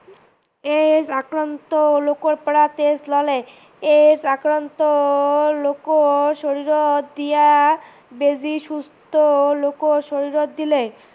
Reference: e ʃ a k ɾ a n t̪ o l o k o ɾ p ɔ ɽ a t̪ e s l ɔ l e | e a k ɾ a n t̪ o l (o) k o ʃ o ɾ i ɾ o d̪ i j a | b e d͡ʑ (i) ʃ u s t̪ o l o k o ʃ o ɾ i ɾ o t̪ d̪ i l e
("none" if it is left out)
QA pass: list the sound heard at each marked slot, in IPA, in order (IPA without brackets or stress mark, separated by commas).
o, i